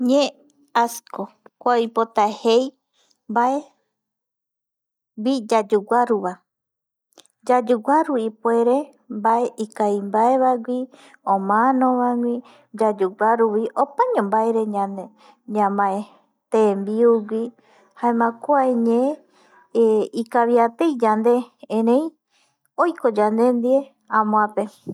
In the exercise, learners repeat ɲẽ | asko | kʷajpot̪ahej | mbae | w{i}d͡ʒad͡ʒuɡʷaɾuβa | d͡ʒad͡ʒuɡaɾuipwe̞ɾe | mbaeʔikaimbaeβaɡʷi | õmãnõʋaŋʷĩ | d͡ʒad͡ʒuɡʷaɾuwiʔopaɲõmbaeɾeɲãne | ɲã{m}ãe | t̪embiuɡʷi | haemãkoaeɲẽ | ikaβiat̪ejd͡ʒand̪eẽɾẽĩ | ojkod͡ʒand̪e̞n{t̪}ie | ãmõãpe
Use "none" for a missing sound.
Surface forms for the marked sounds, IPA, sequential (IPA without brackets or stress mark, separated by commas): i, m, d̪